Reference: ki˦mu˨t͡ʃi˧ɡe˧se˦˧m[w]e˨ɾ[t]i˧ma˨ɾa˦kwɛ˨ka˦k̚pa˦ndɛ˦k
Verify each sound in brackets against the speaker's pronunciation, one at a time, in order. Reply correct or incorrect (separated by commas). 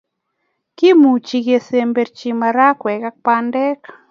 incorrect, incorrect